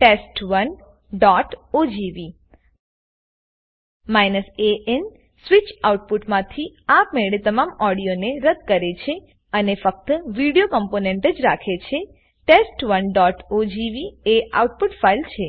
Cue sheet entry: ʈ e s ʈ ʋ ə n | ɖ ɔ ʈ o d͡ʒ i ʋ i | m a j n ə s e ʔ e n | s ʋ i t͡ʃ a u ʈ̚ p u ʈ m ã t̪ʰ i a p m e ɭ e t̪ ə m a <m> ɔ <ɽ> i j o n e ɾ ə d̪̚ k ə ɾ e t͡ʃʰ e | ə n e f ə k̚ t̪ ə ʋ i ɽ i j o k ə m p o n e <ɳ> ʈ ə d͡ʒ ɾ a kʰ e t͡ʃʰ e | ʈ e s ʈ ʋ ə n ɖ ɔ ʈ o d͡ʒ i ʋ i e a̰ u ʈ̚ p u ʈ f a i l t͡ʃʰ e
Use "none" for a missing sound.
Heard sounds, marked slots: m, ɽ, ɳ

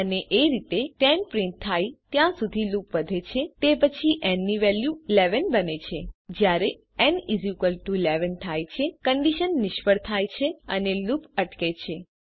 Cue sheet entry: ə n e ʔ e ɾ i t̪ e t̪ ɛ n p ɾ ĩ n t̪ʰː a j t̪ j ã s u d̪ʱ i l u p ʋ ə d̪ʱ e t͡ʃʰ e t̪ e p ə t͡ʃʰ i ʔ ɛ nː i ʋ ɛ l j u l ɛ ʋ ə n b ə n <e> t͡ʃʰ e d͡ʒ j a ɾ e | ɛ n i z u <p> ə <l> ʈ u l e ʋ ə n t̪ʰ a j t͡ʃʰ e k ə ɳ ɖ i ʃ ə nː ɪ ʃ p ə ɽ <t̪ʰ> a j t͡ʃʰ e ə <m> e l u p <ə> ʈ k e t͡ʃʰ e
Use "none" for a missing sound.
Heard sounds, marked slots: e, k, l, t̪ʰ, n, ə

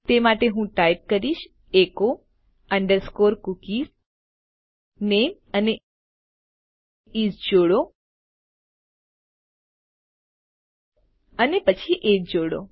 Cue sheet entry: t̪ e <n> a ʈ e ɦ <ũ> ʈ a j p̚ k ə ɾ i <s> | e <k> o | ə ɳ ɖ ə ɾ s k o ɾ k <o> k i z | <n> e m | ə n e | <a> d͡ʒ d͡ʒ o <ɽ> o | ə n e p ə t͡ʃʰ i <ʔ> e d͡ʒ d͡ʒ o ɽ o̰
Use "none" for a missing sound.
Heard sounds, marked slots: m, ũ, ʃ, k, u, n, i, ɽ, ʔ

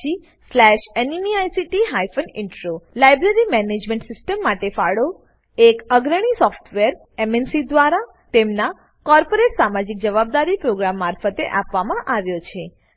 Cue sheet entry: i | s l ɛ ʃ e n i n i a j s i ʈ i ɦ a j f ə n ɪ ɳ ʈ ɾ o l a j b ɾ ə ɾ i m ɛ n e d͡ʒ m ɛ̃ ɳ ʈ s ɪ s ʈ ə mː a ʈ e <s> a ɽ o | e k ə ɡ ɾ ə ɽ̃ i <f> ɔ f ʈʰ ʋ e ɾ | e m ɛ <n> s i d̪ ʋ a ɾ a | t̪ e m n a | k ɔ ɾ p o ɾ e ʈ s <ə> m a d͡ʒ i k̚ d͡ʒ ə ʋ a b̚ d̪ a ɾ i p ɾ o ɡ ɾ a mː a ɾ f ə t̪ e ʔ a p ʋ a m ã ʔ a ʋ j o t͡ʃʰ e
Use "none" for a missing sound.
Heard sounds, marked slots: f, s, n, a

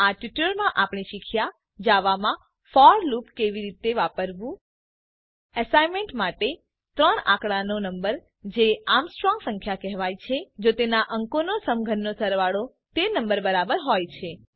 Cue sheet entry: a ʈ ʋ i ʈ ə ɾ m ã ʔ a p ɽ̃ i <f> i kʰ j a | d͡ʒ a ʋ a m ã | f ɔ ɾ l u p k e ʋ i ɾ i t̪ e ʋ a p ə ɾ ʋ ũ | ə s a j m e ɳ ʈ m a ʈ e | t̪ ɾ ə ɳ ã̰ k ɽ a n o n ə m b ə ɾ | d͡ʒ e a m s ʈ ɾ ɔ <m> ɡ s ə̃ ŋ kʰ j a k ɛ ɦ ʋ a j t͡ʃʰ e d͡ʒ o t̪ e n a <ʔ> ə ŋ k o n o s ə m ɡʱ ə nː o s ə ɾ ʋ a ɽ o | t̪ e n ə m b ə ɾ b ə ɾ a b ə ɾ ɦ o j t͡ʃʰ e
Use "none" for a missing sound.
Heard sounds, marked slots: ʃ, ŋ, ʔ

